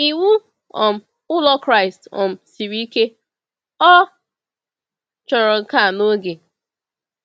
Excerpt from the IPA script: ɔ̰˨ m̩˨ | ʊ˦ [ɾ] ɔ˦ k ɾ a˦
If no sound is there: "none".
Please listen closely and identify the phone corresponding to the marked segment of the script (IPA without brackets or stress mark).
l